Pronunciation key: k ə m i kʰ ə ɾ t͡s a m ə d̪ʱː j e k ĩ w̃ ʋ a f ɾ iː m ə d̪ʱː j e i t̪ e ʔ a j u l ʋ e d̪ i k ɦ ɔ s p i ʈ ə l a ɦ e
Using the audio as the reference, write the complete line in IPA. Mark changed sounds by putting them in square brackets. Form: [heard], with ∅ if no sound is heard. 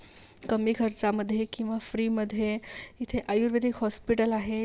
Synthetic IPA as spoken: k ə m i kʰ ə ɾ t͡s a m ə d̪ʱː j e k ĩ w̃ ʋ a f ɾ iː m ə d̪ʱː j e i [t̪ʰ] e ʔ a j u [ɾ] ʋ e d̪ i k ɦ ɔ s p i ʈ ə l a ɦ e